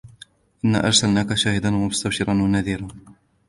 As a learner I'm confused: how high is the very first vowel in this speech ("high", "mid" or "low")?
high